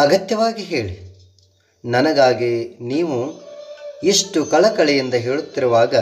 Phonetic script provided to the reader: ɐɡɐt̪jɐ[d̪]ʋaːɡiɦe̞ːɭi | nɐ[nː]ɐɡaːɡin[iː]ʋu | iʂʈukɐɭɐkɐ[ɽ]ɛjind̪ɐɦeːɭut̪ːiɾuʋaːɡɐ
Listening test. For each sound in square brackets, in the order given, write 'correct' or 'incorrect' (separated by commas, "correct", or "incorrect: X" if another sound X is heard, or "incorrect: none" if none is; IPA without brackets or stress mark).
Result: incorrect: none, incorrect: n, correct, incorrect: ɭ